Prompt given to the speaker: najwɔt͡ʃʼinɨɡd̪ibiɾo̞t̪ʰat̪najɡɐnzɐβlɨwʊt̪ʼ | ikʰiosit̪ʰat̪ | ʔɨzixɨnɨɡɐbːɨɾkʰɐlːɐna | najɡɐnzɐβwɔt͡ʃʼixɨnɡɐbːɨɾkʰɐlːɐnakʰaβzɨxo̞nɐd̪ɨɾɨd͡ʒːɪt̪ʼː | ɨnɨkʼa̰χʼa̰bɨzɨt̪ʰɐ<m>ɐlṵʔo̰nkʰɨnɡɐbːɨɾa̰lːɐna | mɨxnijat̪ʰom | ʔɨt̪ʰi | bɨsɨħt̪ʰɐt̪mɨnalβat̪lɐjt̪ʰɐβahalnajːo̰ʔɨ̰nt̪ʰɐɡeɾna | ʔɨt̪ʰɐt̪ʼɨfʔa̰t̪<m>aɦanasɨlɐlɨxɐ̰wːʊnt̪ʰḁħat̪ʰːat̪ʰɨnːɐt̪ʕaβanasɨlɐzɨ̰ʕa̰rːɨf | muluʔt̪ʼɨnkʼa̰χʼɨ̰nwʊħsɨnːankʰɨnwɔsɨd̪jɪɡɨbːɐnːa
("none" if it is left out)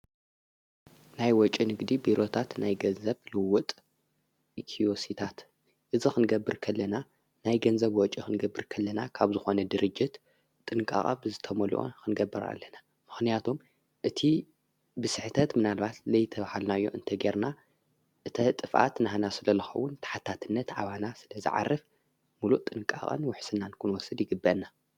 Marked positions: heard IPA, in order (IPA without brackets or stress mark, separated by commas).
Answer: m, n